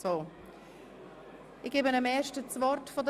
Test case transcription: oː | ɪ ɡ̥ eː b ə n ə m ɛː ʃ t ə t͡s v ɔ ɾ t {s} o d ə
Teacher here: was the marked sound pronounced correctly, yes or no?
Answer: no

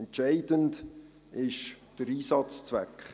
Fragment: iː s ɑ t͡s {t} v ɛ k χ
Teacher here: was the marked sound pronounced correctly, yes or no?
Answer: no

